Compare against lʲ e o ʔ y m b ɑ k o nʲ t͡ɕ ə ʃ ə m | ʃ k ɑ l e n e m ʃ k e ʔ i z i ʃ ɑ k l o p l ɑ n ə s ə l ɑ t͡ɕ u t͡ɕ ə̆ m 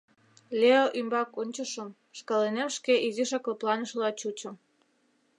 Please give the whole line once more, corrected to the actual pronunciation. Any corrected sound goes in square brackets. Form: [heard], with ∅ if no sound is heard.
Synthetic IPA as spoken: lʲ e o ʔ y m b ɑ k o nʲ t͡ɕ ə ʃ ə m | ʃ k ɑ l e n e m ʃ k e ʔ i z i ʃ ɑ k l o p l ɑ n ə [ʃ] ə l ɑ t͡ɕ u t͡ɕ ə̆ m